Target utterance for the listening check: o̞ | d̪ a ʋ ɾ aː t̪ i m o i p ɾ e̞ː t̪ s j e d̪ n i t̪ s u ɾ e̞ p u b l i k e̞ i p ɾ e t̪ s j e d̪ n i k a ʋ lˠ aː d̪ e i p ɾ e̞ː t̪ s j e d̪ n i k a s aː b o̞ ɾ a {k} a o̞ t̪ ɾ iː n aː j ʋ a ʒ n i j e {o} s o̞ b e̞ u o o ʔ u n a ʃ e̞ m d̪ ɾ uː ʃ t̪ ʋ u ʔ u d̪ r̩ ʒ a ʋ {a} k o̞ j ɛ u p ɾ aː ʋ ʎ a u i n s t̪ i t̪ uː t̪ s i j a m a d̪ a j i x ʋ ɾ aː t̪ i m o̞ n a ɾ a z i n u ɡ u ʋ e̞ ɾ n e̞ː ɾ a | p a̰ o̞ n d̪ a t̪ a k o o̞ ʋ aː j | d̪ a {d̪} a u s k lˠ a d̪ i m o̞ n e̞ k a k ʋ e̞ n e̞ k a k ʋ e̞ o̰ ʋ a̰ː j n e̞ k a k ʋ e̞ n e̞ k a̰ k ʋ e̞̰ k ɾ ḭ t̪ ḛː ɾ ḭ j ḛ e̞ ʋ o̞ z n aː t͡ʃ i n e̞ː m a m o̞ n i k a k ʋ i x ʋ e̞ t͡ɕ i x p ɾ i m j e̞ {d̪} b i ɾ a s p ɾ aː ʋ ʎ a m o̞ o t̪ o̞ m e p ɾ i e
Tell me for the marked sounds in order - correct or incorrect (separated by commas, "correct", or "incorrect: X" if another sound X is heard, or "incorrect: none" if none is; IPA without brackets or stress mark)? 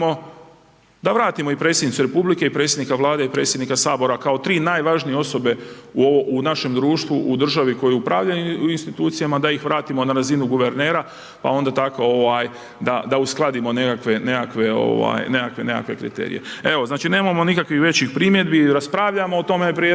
correct, correct, incorrect: i, correct, correct